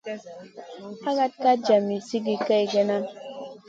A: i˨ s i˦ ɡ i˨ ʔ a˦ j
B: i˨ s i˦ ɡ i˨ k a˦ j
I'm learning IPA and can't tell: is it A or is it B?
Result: B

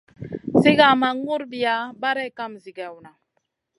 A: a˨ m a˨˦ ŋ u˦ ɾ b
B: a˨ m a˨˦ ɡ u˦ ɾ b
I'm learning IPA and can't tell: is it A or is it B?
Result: A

